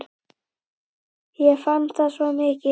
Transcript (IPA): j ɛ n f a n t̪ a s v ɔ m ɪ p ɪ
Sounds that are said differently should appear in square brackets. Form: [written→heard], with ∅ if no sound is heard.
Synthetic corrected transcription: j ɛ [n→∅] f a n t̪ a s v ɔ m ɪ [p→c] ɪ

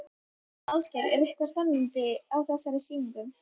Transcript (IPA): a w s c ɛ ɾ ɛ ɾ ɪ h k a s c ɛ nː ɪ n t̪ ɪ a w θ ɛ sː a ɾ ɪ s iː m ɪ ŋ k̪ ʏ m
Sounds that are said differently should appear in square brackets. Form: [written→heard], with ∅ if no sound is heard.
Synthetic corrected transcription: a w s c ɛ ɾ ɛ ɾ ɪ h k a s [c→p] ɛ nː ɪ n t̪ ɪ a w θ ɛ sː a ɾ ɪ s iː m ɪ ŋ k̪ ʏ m

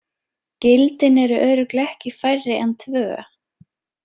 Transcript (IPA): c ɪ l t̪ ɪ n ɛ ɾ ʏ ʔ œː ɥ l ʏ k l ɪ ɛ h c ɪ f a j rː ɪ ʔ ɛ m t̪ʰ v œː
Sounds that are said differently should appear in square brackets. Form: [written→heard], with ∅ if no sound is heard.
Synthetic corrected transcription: c ɪ l t̪ ɪ n ɛ ɾ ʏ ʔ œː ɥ [l→ɾ] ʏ k l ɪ ɛ h c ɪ f a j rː ɪ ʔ ɛ [m→n] t̪ʰ v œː

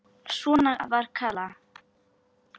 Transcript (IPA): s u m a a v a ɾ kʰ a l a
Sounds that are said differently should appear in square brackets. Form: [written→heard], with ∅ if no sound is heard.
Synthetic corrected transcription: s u [m→n] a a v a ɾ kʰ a l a

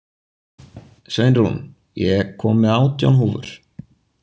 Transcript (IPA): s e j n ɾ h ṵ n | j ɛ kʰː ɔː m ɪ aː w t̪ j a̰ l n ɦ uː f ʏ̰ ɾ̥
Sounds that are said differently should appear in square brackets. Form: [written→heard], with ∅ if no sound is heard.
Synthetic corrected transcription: s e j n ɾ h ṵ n | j ɛ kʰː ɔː m ɪ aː w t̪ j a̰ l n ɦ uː [f→v] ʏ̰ ɾ̥

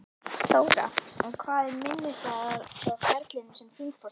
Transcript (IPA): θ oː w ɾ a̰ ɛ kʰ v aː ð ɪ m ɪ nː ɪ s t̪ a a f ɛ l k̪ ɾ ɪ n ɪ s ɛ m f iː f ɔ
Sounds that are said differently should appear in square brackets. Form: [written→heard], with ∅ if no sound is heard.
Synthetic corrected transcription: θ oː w ɾ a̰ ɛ kʰ v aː ð ɪ m ɪ nː ɪ s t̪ a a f ɛ [l→ɾ] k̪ [ɾ→l] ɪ n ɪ s ɛ m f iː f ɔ

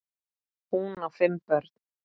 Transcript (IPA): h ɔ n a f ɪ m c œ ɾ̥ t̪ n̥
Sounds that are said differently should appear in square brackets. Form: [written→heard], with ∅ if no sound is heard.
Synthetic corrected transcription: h [ɔ→u] n a f ɪ m [c→p] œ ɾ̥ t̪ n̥

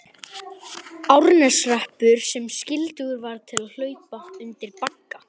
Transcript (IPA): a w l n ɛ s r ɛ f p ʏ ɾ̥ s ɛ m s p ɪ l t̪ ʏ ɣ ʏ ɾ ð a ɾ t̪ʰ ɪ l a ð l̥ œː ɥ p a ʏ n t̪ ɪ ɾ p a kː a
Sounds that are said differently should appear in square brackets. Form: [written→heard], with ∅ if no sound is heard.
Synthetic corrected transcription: a w [l→ɾ] n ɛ s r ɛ [f→h] p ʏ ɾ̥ s ɛ m s [p→c] ɪ l t̪ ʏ ɣ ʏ ɾ [ð→v] a ɾ t̪ʰ ɪ l a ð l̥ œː ɥ p a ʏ n t̪ ɪ ɾ p a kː a

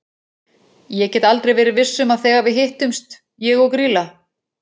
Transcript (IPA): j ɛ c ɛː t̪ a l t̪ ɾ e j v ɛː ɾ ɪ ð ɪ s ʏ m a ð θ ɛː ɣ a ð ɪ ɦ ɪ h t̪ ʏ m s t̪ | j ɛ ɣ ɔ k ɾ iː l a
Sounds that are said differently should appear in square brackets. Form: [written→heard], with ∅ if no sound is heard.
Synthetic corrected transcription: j ɛ c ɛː t̪ a l t̪ ɾ e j v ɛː ɾ ɪ [ð→v] ɪ [s→sː] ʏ m a ð θ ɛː ɣ a [ð→v] ɪ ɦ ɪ h t̪ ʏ m s t̪ | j ɛ ɣ ɔ k ɾ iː l a

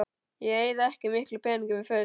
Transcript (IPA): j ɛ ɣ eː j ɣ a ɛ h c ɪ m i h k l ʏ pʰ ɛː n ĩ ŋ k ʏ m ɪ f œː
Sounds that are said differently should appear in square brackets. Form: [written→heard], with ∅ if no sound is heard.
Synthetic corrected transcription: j ɛ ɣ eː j [ɣ→ð] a ɛ h c ɪ m [i→ɪ] h k l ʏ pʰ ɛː n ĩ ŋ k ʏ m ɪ f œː

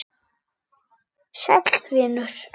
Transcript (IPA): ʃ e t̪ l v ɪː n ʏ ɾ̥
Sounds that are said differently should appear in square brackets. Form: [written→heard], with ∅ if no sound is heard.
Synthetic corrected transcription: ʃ [e→ɛ] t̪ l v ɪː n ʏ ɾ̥

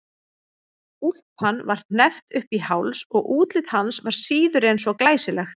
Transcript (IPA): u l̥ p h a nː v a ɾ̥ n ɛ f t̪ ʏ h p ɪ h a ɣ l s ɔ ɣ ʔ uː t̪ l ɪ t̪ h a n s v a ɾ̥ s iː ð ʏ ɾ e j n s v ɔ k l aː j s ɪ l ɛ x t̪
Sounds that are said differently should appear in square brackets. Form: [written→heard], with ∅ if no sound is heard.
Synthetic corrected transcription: u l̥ p h a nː v a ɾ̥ n ɛ f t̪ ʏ h p [ɪ→i] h a [ɣ→w] l s ɔ ɣ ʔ uː t̪ l ɪ t̪ h a n s v a ɾ̥ s iː ð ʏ ɾ e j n s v ɔ k l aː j s ɪ l ɛ x t̪

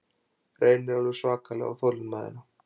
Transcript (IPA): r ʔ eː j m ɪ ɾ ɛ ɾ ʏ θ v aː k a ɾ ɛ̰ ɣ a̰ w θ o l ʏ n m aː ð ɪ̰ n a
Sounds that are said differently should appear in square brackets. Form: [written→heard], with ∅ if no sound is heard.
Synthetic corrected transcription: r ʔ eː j [m→n] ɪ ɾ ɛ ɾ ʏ [θ→s] v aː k a [ɾ→l] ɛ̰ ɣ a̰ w θ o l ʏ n m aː ð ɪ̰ n a

